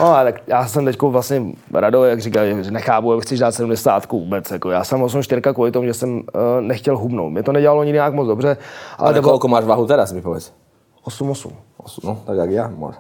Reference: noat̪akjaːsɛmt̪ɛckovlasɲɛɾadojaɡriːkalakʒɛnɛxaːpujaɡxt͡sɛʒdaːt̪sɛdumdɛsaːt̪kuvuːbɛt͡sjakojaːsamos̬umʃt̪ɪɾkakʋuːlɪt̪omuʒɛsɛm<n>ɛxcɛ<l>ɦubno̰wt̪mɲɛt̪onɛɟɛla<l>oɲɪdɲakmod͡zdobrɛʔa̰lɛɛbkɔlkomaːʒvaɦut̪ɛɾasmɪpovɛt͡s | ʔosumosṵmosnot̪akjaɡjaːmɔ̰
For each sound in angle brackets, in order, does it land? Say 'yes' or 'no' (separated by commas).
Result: yes, yes, yes